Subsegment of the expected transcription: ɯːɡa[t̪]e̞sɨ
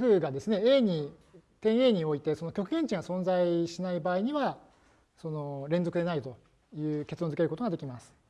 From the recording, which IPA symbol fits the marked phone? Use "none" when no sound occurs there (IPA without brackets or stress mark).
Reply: d̪